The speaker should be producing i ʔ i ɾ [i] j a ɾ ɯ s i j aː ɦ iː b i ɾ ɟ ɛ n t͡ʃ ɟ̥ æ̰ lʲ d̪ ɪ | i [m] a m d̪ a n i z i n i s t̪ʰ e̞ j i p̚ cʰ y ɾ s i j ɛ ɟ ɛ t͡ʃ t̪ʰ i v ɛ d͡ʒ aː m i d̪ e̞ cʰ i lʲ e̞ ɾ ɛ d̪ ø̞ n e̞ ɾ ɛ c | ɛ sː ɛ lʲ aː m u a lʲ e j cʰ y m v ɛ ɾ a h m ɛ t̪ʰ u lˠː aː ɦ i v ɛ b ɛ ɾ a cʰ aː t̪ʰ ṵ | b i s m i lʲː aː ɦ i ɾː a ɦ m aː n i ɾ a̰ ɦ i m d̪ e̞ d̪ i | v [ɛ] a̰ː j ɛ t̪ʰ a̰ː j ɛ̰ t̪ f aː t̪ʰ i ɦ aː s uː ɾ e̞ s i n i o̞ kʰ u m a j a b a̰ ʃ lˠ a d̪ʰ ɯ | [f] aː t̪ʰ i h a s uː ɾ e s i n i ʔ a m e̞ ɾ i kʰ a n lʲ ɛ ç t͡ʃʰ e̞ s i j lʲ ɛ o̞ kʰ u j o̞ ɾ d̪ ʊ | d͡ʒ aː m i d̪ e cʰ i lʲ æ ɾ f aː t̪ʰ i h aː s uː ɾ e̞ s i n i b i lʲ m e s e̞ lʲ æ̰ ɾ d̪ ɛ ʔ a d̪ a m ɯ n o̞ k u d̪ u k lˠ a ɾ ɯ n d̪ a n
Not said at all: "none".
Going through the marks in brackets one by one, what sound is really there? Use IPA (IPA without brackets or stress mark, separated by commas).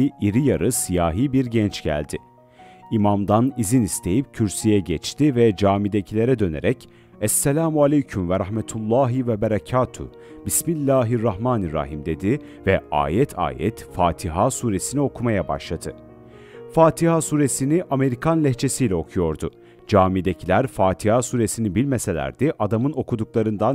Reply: i, m, ɛ, f